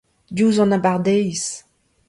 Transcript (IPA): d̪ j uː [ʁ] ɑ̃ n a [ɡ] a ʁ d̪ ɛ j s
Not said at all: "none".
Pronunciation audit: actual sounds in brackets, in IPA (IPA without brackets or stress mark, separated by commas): z, b